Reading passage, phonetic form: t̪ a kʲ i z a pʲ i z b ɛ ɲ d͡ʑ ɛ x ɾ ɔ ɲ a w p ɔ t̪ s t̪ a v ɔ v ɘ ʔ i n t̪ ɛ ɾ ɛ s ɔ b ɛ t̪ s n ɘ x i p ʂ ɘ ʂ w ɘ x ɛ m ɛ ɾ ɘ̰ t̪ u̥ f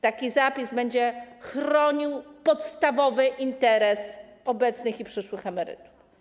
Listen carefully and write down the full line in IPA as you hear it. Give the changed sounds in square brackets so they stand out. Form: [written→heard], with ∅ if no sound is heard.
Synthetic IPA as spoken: t̪ a kʲ i z a pʲ i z b ɛ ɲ d͡ʑ ɛ x ɾ ɔ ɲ [a→i] w p ɔ t̪ s t̪ a v ɔ v ɘ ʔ i n t̪ ɛ ɾ ɛ s ɔ b ɛ t̪ s n ɘ x i p ʂ ɘ ʂ w ɘ x ɛ m ɛ ɾ ɘ̰ t̪ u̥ f